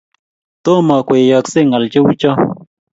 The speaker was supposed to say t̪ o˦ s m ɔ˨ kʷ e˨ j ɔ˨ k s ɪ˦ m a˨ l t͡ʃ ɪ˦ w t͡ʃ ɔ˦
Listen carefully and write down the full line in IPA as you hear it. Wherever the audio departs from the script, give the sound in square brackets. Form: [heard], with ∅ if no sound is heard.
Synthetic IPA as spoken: t̪ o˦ [∅] m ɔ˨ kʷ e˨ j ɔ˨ k s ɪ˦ [ŋ] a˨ l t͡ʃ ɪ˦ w t͡ʃ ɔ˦